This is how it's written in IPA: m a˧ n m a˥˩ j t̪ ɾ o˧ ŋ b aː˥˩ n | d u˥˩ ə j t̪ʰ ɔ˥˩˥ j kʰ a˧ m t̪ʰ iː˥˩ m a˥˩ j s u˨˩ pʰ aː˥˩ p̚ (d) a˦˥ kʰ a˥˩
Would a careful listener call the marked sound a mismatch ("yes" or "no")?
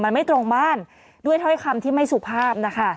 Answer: yes